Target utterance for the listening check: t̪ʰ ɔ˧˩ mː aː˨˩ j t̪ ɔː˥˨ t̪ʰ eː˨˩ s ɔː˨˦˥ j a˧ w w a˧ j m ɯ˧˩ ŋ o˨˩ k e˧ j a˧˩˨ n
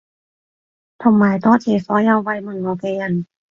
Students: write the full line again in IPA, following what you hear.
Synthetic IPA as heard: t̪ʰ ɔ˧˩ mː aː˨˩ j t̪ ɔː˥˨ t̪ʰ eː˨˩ s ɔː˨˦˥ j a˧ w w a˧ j m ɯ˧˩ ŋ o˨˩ k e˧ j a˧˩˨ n